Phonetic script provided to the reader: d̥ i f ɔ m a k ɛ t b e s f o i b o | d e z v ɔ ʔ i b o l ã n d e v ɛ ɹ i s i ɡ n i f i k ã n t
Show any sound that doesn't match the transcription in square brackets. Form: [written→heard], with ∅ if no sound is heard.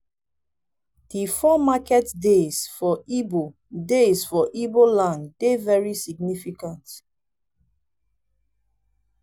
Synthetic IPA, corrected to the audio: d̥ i f ɔ m a k ɛ t [b→d] e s f [o→ɔ] i b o | d e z [v→f] ɔ ʔ i b o l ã n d e v ɛ ɹ i s i ɡ n i f i k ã n t